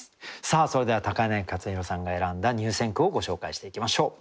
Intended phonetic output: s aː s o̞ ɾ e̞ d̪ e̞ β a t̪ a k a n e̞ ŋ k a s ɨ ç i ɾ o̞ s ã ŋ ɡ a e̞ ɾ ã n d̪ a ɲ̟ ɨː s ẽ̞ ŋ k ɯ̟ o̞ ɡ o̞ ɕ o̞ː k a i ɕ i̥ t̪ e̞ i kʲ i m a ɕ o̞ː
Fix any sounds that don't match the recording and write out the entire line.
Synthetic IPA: s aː s o̞ ɾ e̞ d̪ e̞ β a t̪ a k a n e̞ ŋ k a t͡s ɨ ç i ɾ o̞ s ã ŋ ɡ a e̞ ɾ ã n d̪ a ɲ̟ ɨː s ẽ̞ ŋ k ɯ̟ o̞ ɡ o̞ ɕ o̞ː k a i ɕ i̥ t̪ e̞ i kʲ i m a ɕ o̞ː